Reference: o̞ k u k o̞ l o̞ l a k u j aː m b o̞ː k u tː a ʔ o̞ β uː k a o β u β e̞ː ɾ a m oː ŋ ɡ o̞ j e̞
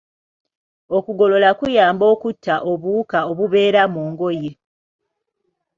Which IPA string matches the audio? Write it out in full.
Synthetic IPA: o̞ k u ɡ o̞ l o̞ l a k u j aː m b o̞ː k u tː a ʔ o̞ β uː k a o β u β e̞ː ɾ a m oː ŋ ɡ o̞ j e̞